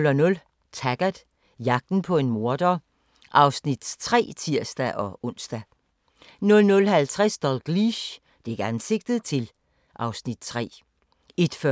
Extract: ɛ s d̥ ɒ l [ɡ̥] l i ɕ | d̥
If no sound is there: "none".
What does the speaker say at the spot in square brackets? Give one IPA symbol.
ɡ̥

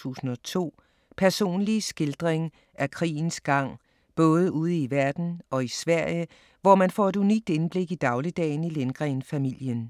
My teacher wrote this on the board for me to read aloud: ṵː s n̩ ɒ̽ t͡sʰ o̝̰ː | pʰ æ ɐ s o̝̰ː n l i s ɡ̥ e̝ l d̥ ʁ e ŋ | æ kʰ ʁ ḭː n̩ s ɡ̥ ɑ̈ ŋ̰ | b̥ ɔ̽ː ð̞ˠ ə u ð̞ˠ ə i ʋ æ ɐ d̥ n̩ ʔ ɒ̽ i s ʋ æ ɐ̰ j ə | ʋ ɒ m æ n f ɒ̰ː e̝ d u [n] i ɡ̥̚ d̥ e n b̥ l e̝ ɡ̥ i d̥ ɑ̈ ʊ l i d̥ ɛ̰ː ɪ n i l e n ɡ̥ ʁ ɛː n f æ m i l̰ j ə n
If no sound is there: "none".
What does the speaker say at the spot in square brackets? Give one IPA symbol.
n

